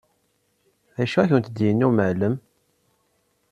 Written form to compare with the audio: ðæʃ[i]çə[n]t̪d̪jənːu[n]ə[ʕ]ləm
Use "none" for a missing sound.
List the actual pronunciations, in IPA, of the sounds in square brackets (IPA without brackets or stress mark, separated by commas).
æ, n, m, ʕ